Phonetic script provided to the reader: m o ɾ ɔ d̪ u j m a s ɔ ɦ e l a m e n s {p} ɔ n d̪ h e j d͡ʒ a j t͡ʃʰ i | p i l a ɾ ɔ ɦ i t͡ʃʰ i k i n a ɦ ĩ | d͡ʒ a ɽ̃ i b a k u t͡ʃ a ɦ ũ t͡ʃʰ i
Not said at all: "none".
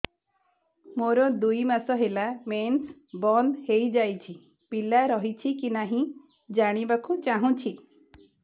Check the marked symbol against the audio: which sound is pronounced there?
b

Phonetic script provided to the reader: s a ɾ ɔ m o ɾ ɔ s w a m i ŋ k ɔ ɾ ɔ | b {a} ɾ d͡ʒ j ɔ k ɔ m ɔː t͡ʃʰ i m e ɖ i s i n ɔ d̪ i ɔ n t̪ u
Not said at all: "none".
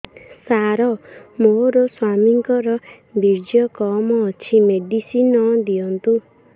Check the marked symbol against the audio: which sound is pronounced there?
i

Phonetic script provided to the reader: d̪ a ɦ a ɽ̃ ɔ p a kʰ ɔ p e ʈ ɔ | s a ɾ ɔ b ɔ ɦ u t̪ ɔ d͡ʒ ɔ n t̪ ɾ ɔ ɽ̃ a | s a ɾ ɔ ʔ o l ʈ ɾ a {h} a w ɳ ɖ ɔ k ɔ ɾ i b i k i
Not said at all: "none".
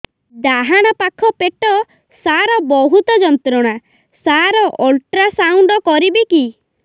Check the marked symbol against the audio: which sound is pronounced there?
s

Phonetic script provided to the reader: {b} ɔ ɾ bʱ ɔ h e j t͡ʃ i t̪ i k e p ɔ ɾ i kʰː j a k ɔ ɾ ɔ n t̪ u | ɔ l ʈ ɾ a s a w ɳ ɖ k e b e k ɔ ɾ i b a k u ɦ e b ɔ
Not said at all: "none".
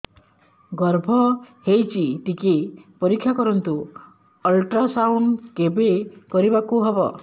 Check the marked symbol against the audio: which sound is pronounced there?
ɡ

